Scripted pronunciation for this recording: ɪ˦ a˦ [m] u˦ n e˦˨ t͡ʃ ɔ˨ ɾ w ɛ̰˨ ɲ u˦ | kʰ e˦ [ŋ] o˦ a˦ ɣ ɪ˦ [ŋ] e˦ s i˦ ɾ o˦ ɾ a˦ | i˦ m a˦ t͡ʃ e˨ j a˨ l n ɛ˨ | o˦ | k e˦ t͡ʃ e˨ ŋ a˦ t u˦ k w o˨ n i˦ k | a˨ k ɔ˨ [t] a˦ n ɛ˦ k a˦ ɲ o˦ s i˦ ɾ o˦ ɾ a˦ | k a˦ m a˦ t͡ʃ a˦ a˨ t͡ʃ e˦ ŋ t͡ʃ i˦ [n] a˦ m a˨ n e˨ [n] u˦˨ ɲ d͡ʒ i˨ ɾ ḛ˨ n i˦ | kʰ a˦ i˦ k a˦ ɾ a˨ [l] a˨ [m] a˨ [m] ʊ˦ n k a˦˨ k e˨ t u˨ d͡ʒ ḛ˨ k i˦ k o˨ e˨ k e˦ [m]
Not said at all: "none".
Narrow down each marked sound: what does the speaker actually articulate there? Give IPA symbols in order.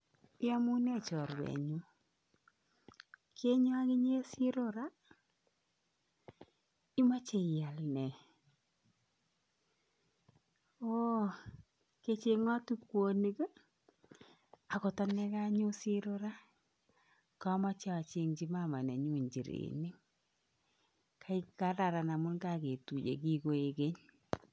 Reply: m, ɲ, ɲ, t, m, ɲ, ɾ, n, m, ɲ

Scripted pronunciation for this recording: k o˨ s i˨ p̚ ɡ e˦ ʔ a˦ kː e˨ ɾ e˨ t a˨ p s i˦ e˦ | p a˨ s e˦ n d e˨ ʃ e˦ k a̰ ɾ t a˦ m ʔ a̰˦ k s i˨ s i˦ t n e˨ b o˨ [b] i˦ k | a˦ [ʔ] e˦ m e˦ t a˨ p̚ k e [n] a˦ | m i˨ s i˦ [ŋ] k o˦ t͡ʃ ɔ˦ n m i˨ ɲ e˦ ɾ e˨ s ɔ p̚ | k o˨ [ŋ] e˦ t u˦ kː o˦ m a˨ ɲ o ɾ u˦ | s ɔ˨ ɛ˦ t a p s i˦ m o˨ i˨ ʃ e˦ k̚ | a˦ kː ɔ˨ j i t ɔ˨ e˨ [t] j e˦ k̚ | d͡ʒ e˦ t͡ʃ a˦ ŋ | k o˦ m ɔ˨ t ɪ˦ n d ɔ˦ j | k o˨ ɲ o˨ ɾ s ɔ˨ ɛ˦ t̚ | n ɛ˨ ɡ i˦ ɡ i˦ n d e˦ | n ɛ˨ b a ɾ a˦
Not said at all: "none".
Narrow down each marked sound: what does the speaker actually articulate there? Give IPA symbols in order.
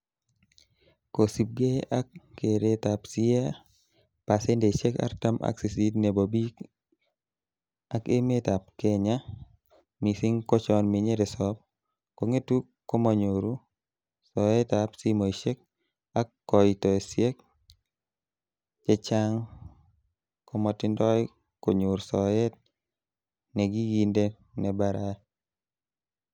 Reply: b, k, ɲ, ŋ, ŋ, s

